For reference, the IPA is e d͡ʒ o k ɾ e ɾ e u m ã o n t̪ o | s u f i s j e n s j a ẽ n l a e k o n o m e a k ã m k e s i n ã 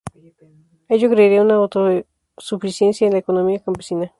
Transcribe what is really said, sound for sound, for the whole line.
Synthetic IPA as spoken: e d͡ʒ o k ɾ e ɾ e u n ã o t̪ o | s u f i s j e n s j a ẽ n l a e k o n o m i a k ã m p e s i n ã